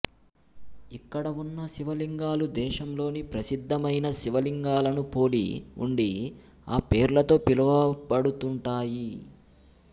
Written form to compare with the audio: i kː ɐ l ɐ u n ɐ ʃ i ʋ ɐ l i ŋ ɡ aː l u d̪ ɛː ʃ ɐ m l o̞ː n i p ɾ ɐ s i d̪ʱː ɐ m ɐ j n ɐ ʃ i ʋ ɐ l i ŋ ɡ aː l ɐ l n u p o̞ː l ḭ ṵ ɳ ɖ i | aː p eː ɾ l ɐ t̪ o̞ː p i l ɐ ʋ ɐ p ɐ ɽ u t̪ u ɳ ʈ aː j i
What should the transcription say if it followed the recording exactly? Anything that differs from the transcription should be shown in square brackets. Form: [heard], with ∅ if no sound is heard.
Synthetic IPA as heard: i kː ɐ [ɽ] ɐ u [nː] ɐ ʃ i ʋ ɐ l i ŋ ɡ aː l u d̪ ɛː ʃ ɐ m l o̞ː n i p ɾ ɐ s i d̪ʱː ɐ m ɐ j n ɐ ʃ i ʋ ɐ l i ŋ ɡ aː l ɐ [∅] n u p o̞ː l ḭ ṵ ɳ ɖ i | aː p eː ɾ l ɐ t̪ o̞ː p i l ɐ ʋ ɐ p ɐ ɽ u t̪ u ɳ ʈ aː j i

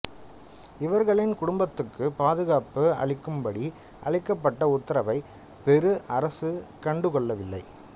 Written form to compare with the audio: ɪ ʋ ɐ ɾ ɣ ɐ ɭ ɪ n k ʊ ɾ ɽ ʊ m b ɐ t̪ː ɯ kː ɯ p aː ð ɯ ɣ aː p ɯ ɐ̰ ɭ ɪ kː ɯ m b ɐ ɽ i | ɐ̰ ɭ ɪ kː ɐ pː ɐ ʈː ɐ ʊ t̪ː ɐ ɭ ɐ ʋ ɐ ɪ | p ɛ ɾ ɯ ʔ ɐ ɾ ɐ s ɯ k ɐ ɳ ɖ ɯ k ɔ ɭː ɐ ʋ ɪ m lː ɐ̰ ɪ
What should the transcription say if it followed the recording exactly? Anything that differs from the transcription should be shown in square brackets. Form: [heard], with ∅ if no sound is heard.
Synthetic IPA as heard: ɪ ʋ ɐ ɾ ɣ ɐ ɭ ɪ n k ʊ [∅] ɽ ʊ m b ɐ t̪ː ɯ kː ɯ p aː ð ɯ ɣ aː p ɯ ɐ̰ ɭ ɪ kː ɯ m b ɐ ɽ i | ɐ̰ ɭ ɪ kː ɐ pː ɐ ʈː ɐ ʊ t̪ː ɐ [ɾ] ɐ ʋ ɐ ɪ | p ɛ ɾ ɯ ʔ ɐ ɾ ɐ s ɯ k ɐ ɳ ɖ ɯ k ɔ ɭː ɐ ʋ ɪ [∅] lː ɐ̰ ɪ

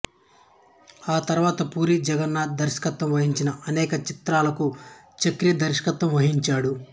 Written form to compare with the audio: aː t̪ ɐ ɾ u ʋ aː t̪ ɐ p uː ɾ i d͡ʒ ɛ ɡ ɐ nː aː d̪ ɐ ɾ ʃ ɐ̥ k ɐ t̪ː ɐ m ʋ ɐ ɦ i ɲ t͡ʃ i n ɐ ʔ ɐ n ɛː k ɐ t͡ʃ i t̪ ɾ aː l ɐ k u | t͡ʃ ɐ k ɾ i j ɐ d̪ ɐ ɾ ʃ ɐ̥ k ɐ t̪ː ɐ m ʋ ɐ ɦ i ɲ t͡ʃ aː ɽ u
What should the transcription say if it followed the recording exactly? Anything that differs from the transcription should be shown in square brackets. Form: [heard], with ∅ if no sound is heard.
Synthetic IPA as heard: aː t̪ ɐ ɾ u ʋ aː t̪ ɐ p uː ɾ i d͡ʒ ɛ ɡ ɐ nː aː d̪ ɐ ɾ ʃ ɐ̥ k ɐ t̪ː ɐ m ʋ ɐ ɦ i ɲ t͡ʃ i n ɐ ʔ ɐ n ɛː k ɐ t͡ʃ i t̪ ɾ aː l ɐ k u | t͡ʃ ɐ k ɾ i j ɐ d̪ ɐ ɾ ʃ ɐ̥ k ɐ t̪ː ɐ m ʋ ɐ ɦ i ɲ t͡ʃ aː ɽ u

